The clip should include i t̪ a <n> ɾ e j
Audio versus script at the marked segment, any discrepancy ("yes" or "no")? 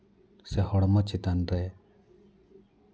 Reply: no